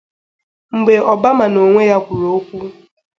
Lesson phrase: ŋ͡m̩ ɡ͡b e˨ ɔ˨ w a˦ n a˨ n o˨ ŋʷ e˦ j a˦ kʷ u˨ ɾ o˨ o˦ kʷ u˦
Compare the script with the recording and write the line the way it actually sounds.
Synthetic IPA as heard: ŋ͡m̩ ɡ͡b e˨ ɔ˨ b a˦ m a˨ n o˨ ŋʷ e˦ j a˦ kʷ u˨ ɾ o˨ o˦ kʷ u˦